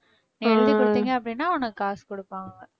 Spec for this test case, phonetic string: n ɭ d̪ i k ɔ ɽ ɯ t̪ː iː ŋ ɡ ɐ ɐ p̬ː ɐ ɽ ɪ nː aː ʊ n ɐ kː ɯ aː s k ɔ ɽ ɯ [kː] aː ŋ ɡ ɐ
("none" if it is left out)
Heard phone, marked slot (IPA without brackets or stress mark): pː